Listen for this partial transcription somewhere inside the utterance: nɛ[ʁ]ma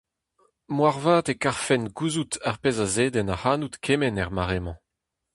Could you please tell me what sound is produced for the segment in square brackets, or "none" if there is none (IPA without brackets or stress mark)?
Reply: ʁ